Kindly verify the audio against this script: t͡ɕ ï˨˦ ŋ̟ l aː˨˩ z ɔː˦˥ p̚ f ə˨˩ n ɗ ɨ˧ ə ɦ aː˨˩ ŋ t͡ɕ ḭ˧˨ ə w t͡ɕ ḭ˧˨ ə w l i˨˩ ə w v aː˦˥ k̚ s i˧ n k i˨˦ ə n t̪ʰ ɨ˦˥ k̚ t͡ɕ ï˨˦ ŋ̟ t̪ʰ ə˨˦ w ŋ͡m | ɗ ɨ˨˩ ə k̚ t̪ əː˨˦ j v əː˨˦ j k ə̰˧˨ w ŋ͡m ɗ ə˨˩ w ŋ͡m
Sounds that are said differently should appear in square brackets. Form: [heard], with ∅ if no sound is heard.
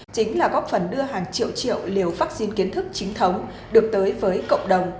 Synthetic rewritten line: t͡ɕ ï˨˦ ŋ̟ l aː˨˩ [ɣ] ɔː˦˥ p̚ f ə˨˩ n ɗ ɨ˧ ə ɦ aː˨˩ ŋ t͡ɕ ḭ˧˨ ə w t͡ɕ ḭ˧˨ ə w l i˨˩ ə w v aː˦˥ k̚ s i˧ n k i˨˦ ə n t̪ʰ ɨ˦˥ k̚ t͡ɕ ï˨˦ ŋ̟ t̪ʰ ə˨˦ w ŋ͡m | ɗ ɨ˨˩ ə k̚ t̪ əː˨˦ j v əː˨˦ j k ə̰˧˨ w ŋ͡m ɗ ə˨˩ w ŋ͡m